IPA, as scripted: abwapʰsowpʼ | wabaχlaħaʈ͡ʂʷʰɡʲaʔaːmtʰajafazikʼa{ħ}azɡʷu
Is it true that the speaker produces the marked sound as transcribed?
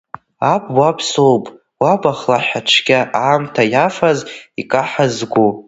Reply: yes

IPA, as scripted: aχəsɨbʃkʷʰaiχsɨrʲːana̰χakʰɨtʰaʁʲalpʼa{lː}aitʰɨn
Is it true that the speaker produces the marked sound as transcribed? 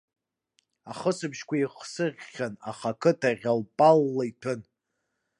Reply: yes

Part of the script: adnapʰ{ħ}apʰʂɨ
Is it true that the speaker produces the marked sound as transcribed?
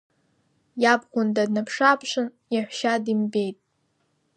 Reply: no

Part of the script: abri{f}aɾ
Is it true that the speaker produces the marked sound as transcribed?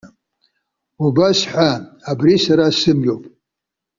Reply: no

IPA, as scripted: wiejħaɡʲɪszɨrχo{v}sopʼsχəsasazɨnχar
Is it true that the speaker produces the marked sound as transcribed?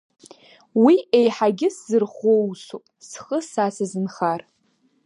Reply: no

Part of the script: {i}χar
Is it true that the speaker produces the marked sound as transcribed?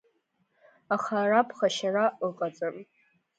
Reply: no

